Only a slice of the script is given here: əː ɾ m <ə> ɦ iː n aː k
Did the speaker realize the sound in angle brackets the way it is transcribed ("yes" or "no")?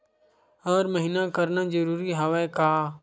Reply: yes